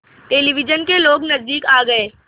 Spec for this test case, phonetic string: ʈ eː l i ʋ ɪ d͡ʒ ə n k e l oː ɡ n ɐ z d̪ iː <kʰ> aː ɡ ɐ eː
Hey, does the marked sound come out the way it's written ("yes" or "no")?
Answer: no